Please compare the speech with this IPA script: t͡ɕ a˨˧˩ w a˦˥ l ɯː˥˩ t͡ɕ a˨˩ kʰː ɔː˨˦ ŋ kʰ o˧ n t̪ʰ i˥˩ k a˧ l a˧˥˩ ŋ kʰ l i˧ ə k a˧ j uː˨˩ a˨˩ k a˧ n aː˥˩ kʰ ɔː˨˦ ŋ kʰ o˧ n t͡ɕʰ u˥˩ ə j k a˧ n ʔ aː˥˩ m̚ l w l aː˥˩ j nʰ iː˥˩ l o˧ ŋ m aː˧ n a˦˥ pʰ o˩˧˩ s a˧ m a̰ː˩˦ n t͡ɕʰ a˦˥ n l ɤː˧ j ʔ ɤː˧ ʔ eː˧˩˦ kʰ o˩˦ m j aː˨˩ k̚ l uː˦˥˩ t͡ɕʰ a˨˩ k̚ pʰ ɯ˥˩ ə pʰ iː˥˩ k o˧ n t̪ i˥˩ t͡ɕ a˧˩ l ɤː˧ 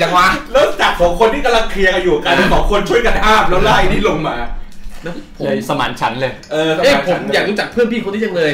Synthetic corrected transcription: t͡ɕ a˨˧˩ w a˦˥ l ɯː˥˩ t͡ɕ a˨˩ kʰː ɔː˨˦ ŋ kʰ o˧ n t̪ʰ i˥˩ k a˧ l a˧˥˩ ŋ kʰ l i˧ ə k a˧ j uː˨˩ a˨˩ k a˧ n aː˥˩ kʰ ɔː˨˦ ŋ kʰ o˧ n t͡ɕʰ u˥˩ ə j k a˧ n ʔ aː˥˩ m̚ l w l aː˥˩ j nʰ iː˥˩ l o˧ ŋ m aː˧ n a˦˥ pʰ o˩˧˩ s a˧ m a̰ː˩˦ n t͡ɕʰ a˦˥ n l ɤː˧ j ʔ ɤː˧ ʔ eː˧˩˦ pʰ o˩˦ m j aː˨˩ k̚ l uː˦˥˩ t͡ɕ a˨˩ k̚ pʰ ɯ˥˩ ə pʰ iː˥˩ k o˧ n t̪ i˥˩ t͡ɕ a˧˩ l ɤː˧